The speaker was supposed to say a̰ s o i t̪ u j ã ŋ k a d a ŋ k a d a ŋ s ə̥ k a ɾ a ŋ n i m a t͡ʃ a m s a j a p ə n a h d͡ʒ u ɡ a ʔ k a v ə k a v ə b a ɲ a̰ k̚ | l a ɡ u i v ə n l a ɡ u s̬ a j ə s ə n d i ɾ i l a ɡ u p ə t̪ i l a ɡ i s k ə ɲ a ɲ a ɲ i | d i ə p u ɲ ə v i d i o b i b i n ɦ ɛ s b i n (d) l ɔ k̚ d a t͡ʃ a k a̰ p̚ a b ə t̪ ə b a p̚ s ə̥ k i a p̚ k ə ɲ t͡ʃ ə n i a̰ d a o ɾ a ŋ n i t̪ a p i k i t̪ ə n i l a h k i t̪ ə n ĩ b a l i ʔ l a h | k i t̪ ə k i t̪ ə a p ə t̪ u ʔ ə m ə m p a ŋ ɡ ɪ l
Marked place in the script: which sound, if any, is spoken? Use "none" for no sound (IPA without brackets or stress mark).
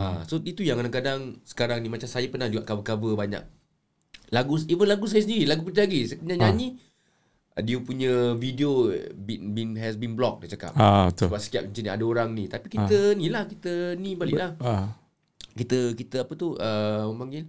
b